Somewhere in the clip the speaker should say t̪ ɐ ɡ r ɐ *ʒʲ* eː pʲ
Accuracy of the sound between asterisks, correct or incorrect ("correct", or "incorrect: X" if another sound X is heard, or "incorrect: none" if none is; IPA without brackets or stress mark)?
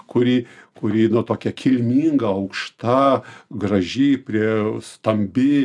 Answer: correct